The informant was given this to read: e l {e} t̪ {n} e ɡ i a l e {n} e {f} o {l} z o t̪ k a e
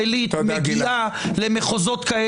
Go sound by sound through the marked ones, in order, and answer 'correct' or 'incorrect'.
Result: incorrect: i, incorrect: m, incorrect: m, incorrect: χ, incorrect: none

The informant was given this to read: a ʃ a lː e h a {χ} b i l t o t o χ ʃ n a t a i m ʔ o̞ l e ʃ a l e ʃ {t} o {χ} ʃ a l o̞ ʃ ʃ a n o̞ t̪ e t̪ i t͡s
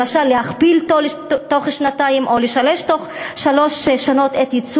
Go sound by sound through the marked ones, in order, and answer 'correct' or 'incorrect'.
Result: correct, correct, correct

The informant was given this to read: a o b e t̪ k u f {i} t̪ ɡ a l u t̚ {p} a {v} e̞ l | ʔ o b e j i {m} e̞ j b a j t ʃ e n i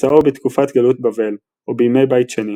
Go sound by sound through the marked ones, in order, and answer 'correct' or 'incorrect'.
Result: incorrect: a, incorrect: b, correct, correct

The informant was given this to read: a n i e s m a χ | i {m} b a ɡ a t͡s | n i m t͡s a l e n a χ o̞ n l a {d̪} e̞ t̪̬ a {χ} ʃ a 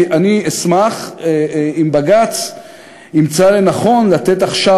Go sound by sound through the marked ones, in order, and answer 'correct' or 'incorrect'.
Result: correct, incorrect: t̪, correct

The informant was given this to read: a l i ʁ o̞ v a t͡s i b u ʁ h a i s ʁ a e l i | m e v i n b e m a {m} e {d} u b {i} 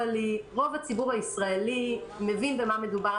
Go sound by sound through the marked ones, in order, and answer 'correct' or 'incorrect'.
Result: correct, correct, incorrect: a

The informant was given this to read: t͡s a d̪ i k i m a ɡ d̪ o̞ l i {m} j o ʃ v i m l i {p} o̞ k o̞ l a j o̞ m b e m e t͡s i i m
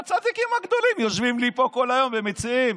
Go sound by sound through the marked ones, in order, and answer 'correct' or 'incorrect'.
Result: correct, correct

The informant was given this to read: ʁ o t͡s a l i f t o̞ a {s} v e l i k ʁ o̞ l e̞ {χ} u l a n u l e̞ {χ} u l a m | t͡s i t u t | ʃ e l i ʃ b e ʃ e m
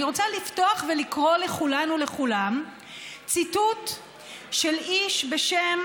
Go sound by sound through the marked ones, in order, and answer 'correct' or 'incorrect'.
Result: incorrect: χ, correct, correct

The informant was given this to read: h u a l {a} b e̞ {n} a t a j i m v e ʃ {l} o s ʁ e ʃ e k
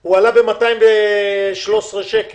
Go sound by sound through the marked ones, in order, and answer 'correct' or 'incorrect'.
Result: correct, incorrect: m, correct

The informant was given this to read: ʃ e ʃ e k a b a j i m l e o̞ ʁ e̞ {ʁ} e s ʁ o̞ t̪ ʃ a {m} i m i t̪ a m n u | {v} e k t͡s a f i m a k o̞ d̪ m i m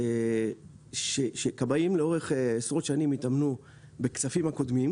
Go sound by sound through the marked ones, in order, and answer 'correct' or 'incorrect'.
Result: incorrect: χ, incorrect: n, incorrect: b

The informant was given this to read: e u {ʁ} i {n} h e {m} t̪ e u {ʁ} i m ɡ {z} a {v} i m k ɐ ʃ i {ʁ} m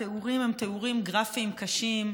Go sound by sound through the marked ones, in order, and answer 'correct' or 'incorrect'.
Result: correct, incorrect: m, correct, correct, incorrect: ʁ, incorrect: f, incorrect: none

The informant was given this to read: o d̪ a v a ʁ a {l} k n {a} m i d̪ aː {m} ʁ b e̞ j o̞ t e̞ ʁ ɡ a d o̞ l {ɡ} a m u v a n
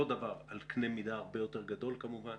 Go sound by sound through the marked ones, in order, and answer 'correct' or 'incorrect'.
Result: correct, incorrect: e, incorrect: none, incorrect: k

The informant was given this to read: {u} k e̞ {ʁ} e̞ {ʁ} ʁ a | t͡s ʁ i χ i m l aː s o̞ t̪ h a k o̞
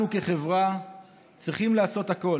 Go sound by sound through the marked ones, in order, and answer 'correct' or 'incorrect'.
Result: correct, incorrect: χ, incorrect: v

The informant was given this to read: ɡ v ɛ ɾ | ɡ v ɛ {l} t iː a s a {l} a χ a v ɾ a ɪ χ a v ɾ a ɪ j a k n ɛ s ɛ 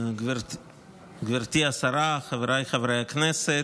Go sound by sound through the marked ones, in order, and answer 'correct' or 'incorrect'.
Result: incorrect: ɾ, incorrect: ɾ

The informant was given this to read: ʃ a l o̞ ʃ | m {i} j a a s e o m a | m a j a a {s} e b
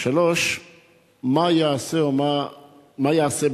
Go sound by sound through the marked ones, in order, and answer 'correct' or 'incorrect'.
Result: incorrect: a, correct

